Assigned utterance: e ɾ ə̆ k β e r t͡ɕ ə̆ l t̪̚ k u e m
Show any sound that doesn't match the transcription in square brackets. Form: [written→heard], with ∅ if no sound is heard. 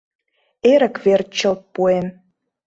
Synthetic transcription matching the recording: e ɾ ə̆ k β e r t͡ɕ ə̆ l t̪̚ [k→p] u e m